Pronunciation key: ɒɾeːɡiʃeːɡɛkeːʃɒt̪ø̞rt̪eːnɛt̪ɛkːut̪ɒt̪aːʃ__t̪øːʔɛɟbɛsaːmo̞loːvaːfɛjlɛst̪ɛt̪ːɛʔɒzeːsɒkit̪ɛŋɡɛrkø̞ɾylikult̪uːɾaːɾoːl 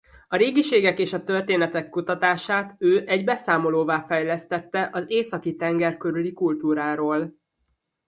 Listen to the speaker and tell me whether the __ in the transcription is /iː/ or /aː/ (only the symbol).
aː